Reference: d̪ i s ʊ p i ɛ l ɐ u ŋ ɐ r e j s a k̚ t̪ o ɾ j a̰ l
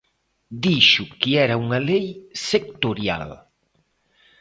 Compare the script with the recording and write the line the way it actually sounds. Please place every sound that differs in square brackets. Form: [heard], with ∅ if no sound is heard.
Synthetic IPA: d̪ i [ʃ] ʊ [k] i ɛ [ɾ] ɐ u ŋ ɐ [l] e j s [e] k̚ t̪ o ɾ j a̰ l